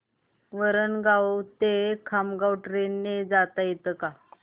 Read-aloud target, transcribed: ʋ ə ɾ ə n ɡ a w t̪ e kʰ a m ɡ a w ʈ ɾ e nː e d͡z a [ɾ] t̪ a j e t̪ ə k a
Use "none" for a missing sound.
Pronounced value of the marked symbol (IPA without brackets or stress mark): none